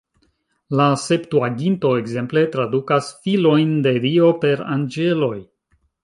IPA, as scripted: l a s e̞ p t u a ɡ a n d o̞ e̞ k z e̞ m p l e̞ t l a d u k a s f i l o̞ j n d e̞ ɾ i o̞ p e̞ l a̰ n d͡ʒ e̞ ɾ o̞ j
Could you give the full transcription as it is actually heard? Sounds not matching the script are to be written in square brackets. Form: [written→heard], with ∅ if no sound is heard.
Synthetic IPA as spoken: l a s e̞ p t u a ɡ [a→i] n [d→t] o̞ e̞ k z e̞ m p l e̞ t [l→ɾ] a d u k a s f i l o̞ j n d e̞ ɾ i o̞ p e̞ [l→ɾ] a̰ n d͡ʒ e̞ [ɾ→l] o̞ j